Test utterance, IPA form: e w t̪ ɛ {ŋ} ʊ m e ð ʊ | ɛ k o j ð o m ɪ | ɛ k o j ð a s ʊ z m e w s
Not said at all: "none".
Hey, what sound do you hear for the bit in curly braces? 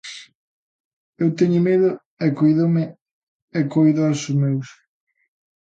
ɲ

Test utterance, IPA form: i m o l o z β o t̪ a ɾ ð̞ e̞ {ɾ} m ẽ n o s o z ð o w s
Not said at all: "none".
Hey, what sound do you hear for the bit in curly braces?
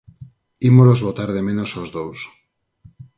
none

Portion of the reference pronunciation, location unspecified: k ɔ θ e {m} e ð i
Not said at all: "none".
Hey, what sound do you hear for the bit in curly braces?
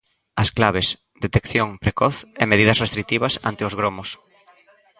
m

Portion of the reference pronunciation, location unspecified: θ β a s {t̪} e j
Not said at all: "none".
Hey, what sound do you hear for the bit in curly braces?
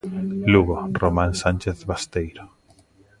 t̪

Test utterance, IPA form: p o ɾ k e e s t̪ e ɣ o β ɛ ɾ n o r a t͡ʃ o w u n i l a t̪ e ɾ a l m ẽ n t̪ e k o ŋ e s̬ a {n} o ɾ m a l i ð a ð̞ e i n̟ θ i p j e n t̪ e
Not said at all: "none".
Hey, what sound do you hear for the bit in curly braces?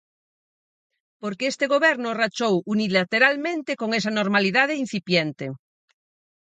n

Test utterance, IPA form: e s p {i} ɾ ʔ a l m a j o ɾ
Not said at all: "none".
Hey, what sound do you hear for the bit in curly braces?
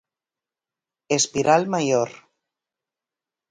i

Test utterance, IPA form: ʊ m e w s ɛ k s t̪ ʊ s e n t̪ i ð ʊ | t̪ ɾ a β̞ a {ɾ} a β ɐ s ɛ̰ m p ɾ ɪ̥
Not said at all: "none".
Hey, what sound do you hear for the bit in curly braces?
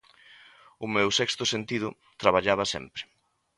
ʎ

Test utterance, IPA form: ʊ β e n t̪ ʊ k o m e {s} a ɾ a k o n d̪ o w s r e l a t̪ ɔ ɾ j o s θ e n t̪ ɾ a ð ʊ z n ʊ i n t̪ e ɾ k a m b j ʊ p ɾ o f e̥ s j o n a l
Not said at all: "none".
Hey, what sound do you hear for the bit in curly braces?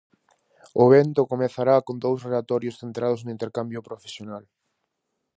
θ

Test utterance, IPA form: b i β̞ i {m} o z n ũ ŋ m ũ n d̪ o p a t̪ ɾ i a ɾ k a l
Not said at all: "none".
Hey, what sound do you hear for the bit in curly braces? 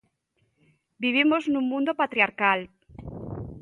m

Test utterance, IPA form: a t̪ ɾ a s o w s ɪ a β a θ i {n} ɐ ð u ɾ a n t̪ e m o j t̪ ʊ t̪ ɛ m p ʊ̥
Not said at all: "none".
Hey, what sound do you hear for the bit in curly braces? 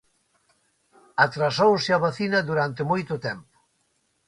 n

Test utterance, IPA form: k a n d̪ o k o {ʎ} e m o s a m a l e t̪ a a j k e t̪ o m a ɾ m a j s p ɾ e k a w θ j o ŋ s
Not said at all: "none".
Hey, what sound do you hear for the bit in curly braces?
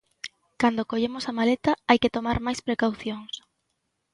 ʎ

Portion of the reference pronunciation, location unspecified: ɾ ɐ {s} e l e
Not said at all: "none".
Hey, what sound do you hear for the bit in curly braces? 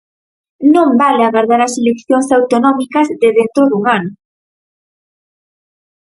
s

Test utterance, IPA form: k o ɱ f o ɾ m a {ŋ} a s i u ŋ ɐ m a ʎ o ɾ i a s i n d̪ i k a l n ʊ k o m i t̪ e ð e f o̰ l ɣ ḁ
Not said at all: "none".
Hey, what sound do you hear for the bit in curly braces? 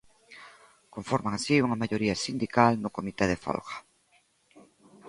ŋ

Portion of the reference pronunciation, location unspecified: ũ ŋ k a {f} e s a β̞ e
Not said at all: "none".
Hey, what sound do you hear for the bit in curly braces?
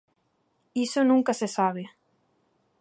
s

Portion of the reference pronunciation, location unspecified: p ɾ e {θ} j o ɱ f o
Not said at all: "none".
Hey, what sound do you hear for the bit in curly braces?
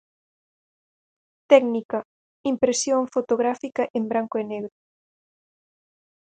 s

